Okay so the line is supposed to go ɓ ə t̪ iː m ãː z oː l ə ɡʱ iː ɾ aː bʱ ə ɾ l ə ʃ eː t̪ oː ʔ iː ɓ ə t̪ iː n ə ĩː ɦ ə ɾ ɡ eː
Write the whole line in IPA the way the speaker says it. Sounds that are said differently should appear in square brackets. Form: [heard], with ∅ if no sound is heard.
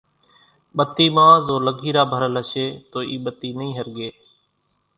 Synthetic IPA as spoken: ɓ ə t̪ iː m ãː z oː l ə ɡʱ iː ɾ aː bʱ ə ɾ l ə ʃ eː t̪ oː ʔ iː ɓ ə t̪ iː n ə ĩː ɦ ə ɾ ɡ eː